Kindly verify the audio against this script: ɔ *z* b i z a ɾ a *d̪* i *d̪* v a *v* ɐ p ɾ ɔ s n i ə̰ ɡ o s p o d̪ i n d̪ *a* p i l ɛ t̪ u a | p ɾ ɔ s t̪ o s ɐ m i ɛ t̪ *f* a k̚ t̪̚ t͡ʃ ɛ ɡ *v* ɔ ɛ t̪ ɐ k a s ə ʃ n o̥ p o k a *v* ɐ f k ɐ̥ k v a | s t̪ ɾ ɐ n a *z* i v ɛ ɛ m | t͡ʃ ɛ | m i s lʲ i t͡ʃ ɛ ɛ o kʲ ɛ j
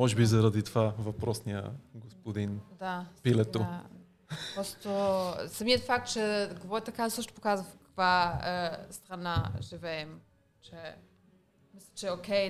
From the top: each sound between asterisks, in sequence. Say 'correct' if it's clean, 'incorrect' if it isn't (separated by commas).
incorrect, correct, incorrect, correct, correct, correct, correct, incorrect, incorrect